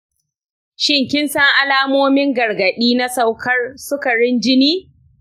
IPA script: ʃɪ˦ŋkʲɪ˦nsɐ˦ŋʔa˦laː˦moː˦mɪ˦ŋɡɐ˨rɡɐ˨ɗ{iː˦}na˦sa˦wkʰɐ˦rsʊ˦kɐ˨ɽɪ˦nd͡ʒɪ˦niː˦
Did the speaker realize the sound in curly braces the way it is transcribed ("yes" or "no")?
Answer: yes